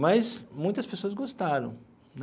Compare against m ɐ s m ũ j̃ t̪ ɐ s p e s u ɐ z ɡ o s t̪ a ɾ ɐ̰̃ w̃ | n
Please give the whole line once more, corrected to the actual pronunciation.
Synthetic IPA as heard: m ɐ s m ũ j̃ t̪ ɐ s p e s o ɐ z ɡ o s t̪ a ɾ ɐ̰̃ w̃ | n